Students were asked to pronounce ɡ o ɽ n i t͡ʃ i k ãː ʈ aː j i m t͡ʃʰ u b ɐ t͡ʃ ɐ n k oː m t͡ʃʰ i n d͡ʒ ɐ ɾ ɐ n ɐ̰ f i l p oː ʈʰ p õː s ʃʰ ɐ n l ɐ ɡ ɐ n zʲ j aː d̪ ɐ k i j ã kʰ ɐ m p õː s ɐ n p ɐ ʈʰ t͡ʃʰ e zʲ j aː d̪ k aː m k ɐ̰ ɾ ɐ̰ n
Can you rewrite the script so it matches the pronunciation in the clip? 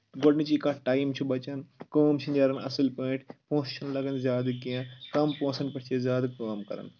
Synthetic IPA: ɡ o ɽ n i t͡ʃ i k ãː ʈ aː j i m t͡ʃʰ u b ɐ t͡ʃ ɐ n k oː m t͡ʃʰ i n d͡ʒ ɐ ɾ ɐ n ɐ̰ s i l p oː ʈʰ p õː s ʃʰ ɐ n l ɐ ɡ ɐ n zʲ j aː d̪ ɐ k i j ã k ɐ m p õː s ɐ n p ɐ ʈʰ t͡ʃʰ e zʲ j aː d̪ k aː m k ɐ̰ ɾ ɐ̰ n